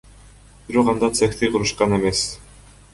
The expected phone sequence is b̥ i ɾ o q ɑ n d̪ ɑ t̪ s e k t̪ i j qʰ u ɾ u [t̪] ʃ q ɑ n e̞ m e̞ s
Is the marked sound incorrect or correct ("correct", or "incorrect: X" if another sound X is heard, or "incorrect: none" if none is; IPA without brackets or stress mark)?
incorrect: none